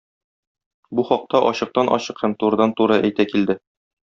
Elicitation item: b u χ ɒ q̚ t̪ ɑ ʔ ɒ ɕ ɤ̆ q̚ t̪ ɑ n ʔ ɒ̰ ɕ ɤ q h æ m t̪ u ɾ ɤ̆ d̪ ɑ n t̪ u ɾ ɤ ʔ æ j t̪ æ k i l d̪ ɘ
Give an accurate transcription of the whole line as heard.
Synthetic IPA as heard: b u χ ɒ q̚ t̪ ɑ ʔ ɒ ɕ ɤ̆ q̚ t̪ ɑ n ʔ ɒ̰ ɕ ɤ q h æ m t̪ u ɾ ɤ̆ d̪ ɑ n t̪ u ɾ ɤ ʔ æ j t̪ æ k i l d̪ ɘ